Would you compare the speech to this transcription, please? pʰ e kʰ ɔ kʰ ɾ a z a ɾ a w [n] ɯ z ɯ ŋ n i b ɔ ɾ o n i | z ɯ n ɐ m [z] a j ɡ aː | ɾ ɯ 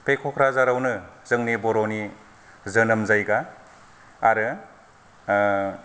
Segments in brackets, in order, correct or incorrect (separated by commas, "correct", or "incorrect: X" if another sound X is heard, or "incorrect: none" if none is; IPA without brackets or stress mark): correct, correct